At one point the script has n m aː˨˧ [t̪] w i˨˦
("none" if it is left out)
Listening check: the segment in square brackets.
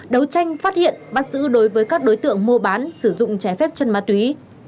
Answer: t̪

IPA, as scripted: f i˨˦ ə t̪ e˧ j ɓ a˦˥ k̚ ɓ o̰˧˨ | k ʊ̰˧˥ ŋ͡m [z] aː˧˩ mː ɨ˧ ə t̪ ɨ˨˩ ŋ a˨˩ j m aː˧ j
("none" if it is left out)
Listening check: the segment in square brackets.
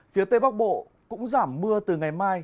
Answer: z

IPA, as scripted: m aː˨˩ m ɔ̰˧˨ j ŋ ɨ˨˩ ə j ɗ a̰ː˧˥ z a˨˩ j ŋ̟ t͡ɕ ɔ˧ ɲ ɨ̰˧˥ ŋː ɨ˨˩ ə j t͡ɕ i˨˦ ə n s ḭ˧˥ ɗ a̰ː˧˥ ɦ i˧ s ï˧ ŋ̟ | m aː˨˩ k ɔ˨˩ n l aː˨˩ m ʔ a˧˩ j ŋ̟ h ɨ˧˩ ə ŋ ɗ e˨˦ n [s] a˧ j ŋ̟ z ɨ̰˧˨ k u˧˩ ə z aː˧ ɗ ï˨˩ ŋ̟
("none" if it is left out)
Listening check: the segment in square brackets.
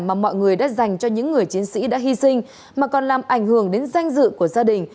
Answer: z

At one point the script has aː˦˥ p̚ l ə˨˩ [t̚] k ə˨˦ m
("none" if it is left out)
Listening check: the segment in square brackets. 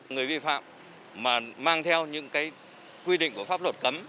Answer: t̚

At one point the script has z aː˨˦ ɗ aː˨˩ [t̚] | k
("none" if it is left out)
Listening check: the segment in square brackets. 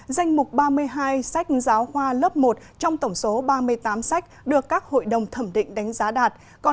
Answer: t̚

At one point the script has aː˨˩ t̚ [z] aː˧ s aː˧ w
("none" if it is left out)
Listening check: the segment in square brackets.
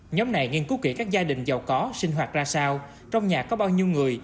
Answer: z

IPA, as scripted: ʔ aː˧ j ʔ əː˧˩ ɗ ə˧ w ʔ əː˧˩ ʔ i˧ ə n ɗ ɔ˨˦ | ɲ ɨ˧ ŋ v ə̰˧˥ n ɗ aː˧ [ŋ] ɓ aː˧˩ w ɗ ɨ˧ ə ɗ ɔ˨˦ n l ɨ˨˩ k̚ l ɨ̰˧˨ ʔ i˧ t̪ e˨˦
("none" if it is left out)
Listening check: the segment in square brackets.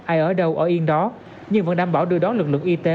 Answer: m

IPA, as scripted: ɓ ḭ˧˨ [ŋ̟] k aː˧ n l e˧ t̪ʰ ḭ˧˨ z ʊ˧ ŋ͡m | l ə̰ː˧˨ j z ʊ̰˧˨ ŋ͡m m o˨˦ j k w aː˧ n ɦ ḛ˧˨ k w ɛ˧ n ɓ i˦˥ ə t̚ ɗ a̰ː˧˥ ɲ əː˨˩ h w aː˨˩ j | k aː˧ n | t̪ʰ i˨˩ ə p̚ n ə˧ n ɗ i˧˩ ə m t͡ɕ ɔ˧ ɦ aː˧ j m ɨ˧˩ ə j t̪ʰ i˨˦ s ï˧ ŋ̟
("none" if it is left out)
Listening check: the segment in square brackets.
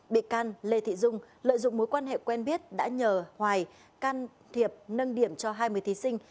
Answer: none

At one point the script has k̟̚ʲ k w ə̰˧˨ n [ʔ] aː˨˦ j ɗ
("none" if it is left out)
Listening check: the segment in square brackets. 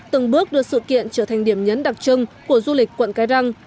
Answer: k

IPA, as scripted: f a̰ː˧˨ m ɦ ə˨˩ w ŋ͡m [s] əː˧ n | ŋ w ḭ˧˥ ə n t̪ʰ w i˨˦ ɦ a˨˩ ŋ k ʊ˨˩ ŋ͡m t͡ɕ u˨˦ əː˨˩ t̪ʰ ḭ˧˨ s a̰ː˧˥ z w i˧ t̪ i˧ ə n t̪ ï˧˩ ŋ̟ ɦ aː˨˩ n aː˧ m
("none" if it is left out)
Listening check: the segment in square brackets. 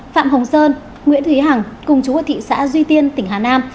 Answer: s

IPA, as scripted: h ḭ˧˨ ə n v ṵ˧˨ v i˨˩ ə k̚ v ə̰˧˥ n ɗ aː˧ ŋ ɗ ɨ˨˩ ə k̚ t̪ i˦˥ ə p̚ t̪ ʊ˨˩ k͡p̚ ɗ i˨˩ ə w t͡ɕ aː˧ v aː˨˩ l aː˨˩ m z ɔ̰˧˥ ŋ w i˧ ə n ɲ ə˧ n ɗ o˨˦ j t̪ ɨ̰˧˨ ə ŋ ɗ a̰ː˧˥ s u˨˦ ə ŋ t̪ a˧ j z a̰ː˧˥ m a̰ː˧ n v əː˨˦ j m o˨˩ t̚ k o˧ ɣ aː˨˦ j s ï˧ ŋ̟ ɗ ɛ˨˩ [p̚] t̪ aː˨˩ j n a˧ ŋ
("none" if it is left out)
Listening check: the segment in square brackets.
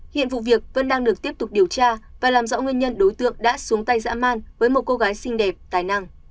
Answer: p̚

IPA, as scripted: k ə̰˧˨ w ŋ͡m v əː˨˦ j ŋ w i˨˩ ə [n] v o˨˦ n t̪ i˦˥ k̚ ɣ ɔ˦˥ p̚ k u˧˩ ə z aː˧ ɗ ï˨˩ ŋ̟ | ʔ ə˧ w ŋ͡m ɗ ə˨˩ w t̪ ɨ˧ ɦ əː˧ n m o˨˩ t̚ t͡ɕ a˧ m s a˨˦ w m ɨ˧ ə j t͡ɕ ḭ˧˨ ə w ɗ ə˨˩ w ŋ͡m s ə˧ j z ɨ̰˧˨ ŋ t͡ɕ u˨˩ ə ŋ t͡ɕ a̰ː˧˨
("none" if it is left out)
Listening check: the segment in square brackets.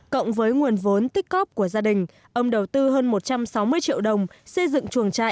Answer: n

